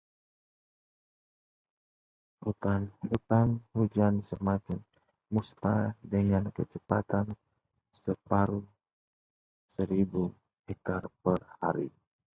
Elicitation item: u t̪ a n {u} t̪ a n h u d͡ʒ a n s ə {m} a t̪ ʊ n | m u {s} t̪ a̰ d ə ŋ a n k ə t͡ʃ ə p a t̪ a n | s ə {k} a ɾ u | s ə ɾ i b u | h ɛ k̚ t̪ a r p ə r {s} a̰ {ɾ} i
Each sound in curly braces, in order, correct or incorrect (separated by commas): correct, correct, correct, incorrect, incorrect, correct